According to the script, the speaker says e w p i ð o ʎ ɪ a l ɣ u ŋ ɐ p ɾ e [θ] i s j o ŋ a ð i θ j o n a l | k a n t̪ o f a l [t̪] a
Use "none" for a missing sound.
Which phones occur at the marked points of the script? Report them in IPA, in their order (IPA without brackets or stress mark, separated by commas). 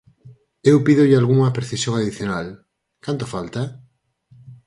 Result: θ, t̪